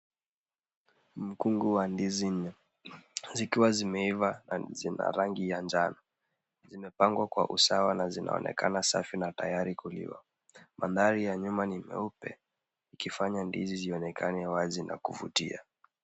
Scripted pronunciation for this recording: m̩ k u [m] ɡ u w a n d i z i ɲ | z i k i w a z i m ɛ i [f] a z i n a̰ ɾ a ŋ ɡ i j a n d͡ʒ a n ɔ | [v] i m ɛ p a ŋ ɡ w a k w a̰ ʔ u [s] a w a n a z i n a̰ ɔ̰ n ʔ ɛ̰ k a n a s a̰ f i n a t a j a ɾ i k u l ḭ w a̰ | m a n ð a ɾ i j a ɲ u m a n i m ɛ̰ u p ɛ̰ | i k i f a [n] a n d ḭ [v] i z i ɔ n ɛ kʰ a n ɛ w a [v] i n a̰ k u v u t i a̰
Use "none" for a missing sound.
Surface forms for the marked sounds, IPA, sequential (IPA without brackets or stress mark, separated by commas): ŋ, v, z, s, ɲ, z, z